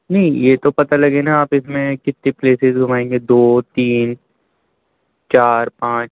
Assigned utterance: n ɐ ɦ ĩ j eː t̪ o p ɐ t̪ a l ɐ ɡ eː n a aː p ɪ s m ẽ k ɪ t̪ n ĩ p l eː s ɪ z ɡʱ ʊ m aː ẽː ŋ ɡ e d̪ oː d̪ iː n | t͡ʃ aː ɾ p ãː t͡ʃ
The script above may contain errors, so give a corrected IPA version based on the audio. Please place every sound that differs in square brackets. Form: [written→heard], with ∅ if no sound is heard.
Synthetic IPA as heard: n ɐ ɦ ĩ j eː t̪ o p ɐ t̪ a l ɐ ɡ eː n a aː p ɪ s m ẽ k ɪ t̪ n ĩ p l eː s ɪ z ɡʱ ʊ m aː ẽː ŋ ɡ e d̪ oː [d̪→t̪] iː n | t͡ʃ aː ɾ p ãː t͡ʃ